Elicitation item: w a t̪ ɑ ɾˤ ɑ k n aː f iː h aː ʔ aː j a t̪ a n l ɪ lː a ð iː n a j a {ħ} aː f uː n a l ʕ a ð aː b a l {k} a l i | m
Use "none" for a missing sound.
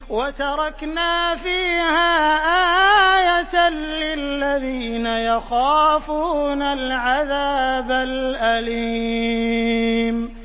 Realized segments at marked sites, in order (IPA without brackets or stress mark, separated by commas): x, ʔ